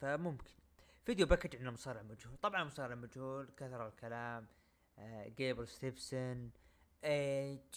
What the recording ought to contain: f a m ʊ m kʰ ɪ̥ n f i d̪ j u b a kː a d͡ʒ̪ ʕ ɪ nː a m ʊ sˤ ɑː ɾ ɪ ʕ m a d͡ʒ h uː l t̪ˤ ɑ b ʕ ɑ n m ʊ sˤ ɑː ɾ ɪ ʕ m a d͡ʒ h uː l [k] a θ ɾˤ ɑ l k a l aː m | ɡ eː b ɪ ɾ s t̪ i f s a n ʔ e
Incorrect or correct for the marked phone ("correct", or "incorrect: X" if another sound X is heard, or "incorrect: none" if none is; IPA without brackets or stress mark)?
correct